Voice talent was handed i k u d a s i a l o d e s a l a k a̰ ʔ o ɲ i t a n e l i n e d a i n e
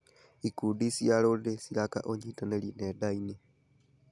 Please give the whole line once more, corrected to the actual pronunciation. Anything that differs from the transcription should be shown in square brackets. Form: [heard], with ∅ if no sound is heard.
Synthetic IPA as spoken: i k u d [i] s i a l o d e s [i] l a k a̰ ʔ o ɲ i t a n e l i n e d a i n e